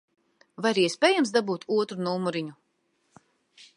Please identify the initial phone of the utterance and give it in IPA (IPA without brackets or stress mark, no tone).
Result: v